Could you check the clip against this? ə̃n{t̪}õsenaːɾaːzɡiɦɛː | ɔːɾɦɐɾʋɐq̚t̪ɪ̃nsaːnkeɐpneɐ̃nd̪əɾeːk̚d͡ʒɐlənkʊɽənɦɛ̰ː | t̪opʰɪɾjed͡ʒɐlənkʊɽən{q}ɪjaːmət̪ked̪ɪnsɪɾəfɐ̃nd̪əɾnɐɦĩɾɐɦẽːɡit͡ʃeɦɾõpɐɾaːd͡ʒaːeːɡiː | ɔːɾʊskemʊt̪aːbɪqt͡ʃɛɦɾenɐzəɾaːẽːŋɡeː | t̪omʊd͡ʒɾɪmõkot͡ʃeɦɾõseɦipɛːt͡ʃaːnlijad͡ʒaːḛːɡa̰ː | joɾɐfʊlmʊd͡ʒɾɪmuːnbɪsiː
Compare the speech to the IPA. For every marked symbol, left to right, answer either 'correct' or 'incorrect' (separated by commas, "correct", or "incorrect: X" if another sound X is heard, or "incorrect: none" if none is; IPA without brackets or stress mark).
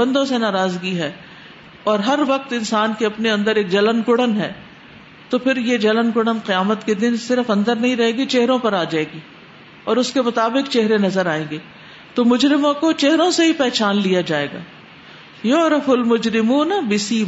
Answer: incorrect: d̪, correct